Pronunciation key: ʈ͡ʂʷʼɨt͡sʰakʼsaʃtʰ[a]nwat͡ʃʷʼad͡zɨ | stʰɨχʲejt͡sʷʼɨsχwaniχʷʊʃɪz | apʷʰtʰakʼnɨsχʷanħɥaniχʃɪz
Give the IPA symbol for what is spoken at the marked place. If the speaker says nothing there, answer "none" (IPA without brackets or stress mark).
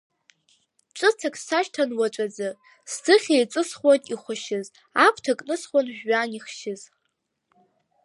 a